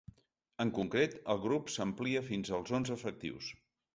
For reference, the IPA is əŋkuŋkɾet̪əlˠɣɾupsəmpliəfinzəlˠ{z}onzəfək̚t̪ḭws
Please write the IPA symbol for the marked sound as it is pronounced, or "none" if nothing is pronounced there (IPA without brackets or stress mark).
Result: z